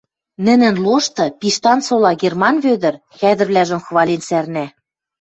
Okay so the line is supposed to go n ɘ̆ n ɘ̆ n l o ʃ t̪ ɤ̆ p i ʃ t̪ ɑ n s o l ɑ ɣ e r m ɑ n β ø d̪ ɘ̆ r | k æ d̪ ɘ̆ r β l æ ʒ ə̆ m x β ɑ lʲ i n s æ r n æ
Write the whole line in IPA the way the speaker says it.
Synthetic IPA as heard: n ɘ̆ n ɘ̆ n l o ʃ t̪ ɤ̆ p i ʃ t̪ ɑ n s o l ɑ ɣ e r m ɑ n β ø d̪ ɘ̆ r | x æ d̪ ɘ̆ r β l æ ʒ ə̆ m x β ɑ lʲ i n s æ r n æ